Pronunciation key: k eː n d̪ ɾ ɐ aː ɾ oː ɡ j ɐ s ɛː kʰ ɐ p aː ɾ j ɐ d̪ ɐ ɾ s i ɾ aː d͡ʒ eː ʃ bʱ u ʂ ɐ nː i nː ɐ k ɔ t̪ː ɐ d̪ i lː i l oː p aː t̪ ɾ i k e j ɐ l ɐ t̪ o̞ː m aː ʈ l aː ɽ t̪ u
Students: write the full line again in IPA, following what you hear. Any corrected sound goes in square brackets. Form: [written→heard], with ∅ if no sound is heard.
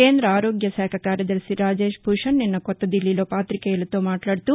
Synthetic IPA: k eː n d̪ ɾ ɐ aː ɾ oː ɡ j ɐ s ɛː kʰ ɐ [p→k] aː ɾ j ɐ d̪ ɐ ɾ s i ɾ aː d͡ʒ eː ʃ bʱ u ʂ ɐ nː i nː ɐ k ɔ t̪ː ɐ d̪ i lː i l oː p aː t̪ ɾ i k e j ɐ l ɐ t̪ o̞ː m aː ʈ l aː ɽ t̪ u